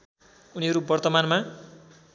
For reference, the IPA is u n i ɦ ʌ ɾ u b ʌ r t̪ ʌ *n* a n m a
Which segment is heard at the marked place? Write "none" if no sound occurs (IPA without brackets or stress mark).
m